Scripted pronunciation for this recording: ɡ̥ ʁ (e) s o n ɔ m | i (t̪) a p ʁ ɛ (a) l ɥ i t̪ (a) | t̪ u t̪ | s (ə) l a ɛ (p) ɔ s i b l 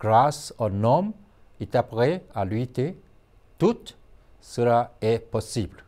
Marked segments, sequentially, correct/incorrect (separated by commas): incorrect, correct, correct, incorrect, correct, correct